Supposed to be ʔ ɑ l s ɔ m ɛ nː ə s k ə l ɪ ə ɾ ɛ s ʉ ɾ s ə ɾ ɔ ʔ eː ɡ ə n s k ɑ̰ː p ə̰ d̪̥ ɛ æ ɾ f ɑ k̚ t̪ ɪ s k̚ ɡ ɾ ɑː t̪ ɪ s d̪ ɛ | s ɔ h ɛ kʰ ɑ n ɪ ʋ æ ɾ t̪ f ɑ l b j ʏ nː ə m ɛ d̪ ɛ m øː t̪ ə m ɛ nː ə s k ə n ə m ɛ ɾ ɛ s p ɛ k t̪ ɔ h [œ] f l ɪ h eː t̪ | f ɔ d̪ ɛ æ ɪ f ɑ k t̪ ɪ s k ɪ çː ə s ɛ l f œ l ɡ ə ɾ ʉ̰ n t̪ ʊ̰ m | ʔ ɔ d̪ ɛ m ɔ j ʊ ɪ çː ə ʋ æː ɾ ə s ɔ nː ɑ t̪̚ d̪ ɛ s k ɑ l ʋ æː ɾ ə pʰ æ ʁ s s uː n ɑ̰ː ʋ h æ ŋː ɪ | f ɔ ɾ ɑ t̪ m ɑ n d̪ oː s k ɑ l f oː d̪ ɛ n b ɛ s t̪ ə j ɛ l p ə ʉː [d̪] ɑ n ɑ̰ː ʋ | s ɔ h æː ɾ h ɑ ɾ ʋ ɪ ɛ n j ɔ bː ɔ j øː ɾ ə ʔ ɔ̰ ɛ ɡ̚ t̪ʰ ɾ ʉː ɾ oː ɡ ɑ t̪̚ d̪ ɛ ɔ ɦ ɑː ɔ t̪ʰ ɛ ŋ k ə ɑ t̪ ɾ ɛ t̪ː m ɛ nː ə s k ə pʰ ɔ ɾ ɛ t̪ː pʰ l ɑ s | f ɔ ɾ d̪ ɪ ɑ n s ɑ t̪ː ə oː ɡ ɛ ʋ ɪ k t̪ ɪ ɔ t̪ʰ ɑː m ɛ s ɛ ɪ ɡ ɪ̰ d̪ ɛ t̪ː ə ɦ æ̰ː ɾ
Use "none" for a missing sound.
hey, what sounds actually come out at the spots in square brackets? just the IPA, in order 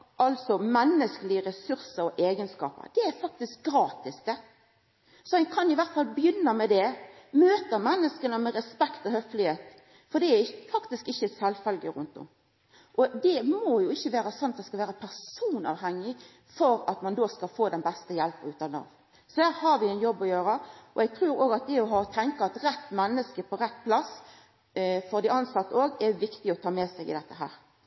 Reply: œ, t̪

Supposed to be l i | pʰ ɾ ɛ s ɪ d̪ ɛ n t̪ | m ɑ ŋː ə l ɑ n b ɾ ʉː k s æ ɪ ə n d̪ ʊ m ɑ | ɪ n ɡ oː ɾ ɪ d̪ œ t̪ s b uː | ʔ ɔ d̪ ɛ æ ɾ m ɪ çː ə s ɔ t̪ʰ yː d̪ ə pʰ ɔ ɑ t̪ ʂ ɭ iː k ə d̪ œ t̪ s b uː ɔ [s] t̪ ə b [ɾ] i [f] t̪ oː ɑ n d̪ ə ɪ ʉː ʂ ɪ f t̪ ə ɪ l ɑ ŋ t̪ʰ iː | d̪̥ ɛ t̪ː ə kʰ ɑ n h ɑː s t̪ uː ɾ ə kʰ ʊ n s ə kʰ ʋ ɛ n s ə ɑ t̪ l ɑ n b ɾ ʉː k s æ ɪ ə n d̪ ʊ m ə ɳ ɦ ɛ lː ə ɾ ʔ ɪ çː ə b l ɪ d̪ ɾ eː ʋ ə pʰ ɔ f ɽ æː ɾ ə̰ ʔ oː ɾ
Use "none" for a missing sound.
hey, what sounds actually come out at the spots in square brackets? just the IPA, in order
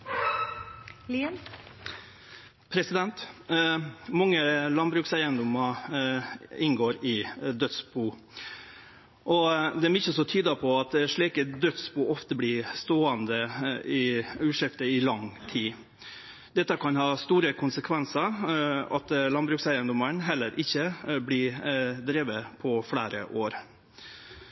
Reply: f, l, s

